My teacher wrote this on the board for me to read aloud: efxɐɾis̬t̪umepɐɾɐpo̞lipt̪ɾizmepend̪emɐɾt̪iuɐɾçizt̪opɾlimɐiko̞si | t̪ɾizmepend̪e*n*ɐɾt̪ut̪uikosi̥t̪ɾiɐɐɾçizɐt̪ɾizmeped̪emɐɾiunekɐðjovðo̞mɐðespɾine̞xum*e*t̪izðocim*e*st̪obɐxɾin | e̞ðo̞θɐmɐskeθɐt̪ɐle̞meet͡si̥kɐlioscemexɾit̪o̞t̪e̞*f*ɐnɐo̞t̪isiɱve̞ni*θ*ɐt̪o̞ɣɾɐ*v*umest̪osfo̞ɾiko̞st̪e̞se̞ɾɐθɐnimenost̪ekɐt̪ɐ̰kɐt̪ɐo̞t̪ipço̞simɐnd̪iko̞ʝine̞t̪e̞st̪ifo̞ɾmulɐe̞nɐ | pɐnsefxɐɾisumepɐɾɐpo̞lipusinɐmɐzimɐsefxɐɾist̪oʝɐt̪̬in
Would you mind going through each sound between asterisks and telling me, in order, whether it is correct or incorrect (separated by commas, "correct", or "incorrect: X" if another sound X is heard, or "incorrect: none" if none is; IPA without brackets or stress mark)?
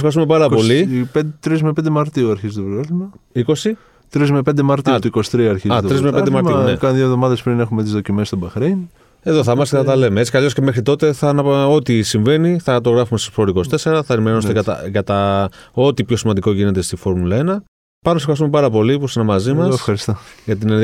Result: incorrect: m, correct, correct, incorrect: θ, correct, incorrect: f